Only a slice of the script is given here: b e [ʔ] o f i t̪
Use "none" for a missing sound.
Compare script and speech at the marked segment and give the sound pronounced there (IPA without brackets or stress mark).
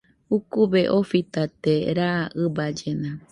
ʔ